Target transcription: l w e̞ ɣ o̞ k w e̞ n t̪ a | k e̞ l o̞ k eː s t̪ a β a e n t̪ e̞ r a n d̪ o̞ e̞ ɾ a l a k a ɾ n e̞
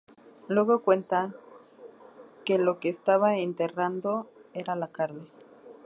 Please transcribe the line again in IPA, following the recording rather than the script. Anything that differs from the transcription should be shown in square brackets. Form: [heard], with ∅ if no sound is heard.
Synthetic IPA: l w e̞ ɣ o̞ k w e̞ n t̪ a | k e̞ l o̞ k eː s t̪ a β a e n t̪ e̞ r a n d̪ o̞ e̞ ɾ a l a k a ɾ n e̞

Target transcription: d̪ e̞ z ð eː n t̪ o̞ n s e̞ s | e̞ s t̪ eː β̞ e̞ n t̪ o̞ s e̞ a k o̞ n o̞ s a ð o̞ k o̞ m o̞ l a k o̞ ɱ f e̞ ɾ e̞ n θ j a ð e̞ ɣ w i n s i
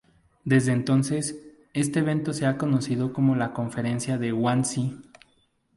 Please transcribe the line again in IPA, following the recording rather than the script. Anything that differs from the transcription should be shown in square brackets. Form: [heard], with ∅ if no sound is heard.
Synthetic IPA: d̪ e̞ z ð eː n t̪ o̞ n s e̞ s | e̞ s t̪ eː β̞ e̞ n t̪ o̞ s e̞ a k o̞ n o̞ s [i] ð o̞ k o̞ m o̞ l a k o̞ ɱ f e̞ ɾ e̞ n [s] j a ð e̞ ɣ w [a] n s i

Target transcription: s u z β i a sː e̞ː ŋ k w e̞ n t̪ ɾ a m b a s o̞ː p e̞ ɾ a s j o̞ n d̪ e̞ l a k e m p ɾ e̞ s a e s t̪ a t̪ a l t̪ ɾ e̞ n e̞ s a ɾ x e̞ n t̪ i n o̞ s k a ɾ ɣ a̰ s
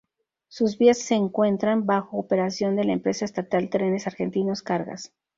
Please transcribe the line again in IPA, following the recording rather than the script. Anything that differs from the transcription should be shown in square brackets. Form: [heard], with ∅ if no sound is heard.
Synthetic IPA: s u z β i a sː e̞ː ŋ k w e̞ n t̪ ɾ a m b a [x] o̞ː p e̞ ɾ a s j o̞ n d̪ e̞ l a [∅] e m p ɾ e̞ s a e s t̪ a t̪ a l t̪ ɾ e̞ n e̞ s a ɾ x e̞ n t̪ i n o̞ s k a ɾ ɣ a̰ s

